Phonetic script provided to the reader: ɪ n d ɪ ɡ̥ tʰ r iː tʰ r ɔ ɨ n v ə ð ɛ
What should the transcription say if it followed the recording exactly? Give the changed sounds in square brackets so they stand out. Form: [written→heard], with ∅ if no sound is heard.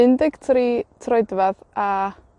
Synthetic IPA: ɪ n d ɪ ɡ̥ tʰ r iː tʰ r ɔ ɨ [n→d] v [ə→a] ð [ɛ→a]